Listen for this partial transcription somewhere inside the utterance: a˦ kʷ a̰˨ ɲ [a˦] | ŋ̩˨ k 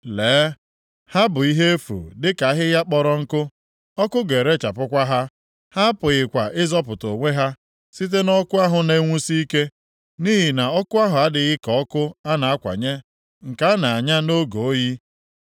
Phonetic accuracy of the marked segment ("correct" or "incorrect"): incorrect